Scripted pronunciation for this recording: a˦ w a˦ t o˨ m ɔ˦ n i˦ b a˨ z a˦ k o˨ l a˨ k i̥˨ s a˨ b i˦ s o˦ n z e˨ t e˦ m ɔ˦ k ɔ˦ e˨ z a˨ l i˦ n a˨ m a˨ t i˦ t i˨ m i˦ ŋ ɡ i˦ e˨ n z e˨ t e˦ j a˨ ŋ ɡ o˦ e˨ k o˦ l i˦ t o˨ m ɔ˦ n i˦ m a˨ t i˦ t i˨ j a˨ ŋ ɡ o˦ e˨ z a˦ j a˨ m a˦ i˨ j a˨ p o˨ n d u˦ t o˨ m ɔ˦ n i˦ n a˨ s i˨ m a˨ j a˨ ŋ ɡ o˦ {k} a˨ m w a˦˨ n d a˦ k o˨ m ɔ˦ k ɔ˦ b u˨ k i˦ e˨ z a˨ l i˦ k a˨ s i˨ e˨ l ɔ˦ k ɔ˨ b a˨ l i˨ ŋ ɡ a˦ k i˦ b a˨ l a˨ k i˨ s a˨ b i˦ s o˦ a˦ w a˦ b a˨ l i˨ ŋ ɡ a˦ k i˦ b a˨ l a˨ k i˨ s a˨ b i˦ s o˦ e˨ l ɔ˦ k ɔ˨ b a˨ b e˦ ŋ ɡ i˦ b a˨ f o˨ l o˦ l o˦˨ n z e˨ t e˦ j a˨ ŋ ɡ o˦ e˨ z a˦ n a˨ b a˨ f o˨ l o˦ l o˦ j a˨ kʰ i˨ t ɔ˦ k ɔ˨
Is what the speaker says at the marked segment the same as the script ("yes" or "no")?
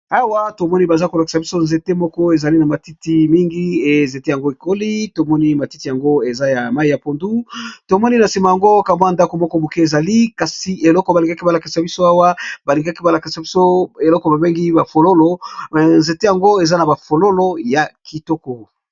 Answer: yes